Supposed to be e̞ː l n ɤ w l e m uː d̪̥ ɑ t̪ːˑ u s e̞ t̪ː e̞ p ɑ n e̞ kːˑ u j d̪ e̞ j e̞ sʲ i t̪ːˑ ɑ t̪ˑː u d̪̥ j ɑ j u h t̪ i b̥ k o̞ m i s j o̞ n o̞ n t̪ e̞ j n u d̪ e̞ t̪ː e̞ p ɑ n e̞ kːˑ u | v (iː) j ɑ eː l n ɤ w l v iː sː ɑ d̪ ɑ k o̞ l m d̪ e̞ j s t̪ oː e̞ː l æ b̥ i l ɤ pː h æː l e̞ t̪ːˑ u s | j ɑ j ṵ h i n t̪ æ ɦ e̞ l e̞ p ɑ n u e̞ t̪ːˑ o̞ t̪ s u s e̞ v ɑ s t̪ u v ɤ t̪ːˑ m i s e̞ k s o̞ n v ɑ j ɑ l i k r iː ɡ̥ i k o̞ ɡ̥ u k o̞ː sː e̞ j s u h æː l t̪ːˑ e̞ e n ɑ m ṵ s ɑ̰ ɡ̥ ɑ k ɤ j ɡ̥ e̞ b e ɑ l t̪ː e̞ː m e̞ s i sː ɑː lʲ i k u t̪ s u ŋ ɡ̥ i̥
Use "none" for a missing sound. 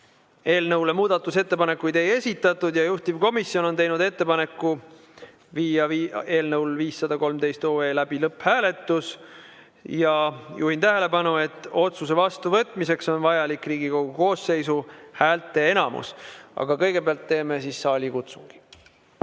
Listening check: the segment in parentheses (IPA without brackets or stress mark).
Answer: iː